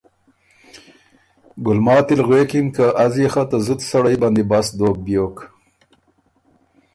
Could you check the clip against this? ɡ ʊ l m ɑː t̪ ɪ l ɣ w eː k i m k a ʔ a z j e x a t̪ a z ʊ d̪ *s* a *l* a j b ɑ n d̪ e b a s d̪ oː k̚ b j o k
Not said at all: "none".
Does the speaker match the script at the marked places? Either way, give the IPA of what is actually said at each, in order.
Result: s, ɽ

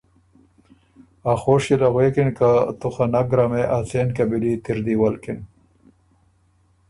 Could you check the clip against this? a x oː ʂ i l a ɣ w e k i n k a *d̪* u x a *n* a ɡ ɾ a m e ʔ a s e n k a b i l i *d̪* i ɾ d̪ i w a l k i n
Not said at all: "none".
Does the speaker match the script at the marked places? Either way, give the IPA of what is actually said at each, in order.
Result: t̪, n, t̪

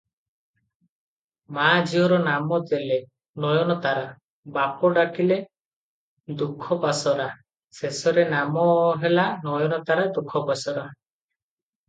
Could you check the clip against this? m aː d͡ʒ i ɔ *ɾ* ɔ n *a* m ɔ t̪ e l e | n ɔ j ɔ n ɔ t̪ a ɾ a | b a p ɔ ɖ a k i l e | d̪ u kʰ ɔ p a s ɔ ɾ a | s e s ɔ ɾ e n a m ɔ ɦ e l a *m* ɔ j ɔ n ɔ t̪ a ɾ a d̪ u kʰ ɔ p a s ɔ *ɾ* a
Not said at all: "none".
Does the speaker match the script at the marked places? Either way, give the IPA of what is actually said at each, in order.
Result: ɾ, a, n, ɾ

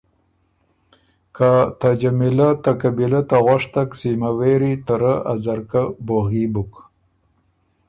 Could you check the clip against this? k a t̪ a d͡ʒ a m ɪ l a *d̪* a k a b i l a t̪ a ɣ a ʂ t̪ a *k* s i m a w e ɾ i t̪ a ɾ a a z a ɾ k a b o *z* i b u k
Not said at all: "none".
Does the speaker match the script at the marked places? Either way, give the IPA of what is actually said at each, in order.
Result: t̪, k, ɣ

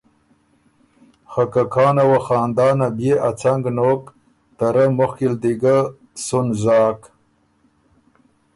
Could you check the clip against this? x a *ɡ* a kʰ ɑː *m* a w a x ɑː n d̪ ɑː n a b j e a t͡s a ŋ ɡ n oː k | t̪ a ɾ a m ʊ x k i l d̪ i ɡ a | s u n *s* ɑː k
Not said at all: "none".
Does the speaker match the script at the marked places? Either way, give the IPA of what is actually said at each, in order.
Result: k, n, z

